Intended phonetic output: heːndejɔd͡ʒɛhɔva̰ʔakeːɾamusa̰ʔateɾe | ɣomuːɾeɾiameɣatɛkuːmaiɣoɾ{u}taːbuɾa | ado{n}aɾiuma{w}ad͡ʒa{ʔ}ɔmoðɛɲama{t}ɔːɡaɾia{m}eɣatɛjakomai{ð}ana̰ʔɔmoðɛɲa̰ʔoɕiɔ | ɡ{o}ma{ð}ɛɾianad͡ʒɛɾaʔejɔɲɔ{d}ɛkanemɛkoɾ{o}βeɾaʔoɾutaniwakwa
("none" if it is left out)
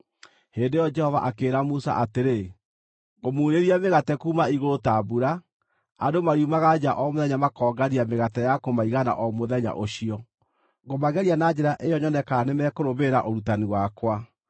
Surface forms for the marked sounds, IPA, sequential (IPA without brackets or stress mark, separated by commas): o, m, ɣ, ʔ, k, m, ɣ, o, ɣ, n, o